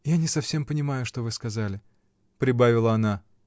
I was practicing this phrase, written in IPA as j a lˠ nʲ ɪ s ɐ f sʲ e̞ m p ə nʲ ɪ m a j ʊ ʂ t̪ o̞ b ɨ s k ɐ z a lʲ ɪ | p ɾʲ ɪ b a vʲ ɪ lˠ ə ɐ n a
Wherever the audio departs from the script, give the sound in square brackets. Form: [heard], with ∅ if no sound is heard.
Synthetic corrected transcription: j a [∅] nʲ ɪ s ɐ f sʲ e̞ m p ə nʲ ɪ m a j ʊ ʂ t̪ o̞ [v] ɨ s k ɐ z a lʲ ɪ | p ɾʲ ɪ b a vʲ ɪ lˠ ə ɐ n a